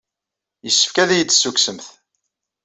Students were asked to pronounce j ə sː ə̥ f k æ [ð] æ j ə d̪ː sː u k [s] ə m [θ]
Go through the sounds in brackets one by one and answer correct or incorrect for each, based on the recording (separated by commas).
correct, correct, correct